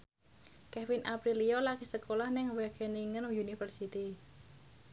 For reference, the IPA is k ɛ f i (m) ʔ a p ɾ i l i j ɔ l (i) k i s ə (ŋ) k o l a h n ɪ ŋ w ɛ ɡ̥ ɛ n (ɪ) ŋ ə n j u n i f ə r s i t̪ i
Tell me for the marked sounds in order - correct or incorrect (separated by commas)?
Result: incorrect, incorrect, incorrect, incorrect